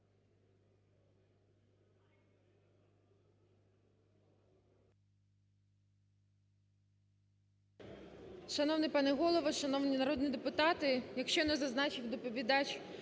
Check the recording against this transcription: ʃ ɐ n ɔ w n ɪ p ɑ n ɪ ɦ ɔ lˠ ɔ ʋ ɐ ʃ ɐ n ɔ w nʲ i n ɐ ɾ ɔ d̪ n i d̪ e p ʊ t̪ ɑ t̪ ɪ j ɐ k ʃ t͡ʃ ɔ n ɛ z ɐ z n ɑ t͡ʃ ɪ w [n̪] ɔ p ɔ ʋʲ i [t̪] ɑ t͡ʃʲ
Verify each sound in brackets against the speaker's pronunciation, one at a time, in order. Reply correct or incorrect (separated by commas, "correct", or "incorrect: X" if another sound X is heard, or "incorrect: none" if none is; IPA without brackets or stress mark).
incorrect: d̪, incorrect: d̪